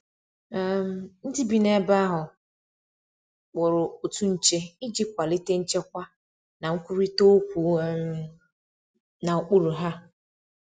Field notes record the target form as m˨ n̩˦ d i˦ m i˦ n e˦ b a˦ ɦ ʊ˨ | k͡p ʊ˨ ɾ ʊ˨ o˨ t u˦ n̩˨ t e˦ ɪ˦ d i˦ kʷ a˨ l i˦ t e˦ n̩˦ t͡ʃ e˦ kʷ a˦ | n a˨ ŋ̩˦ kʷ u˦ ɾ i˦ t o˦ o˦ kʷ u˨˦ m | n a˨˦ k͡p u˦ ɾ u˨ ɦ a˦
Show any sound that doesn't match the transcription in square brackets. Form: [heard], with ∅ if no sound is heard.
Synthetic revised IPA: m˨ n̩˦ d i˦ [b] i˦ n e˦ b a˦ ɦ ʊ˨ | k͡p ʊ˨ ɾ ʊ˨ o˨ t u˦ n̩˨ [t͡ʃ] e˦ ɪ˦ [d͡ʒ] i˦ kʷ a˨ l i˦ t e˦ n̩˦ t͡ʃ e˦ kʷ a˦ | n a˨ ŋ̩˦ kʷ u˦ ɾ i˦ t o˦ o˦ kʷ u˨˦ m | n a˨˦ k͡p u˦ ɾ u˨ ɦ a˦

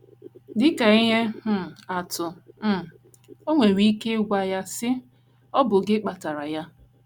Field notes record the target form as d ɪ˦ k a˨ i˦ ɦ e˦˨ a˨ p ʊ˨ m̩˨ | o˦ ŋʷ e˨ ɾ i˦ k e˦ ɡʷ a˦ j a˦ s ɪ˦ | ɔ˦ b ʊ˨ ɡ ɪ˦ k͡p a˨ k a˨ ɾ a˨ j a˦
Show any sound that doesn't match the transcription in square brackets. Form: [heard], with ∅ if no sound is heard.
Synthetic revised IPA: d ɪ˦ k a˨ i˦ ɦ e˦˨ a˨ [t] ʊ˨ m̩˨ | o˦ ŋʷ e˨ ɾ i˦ k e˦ ɡʷ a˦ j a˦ s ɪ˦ | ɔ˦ b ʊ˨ ɡ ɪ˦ k͡p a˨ [t] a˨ ɾ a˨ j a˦

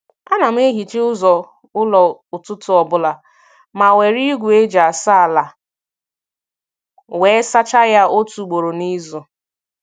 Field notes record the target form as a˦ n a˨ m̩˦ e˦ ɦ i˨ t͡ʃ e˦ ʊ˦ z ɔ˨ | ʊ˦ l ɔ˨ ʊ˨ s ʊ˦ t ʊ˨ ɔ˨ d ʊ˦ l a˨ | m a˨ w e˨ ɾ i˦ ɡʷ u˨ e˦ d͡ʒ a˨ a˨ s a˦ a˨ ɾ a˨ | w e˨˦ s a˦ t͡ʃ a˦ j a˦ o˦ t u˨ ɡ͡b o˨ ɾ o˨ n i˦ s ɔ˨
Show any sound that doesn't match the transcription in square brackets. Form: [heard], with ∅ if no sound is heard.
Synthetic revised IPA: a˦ n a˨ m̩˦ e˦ ɦ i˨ t͡ʃ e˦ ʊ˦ z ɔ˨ | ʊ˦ l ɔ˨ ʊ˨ [t] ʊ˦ t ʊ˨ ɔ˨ [b] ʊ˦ l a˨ | m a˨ w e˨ ɾ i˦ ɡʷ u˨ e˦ d͡ʒ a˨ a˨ s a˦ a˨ [l] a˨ | w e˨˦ s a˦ t͡ʃ a˦ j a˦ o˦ t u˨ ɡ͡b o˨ ɾ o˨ n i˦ [z] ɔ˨

